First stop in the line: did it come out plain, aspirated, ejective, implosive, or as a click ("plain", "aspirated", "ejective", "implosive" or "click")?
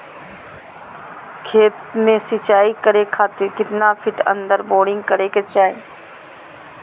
aspirated